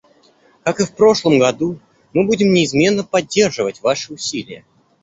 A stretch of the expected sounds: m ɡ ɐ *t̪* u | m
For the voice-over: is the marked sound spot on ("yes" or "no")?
no